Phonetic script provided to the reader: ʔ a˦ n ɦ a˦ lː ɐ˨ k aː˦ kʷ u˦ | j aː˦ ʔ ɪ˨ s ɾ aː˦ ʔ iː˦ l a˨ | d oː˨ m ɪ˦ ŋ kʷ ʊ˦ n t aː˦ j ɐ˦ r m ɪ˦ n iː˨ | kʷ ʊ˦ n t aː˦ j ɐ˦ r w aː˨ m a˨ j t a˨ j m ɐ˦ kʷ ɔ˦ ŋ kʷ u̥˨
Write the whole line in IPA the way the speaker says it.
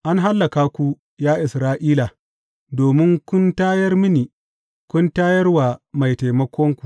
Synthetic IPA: ʔ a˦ n ɦ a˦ lː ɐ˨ k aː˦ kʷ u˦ | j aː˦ ʔ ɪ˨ s ɾ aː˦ ʔ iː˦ l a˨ | d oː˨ m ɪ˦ ŋ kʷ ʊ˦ n t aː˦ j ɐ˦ r m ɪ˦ n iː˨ | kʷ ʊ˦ n t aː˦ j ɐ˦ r w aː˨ m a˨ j t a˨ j m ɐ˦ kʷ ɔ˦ ŋ kʷ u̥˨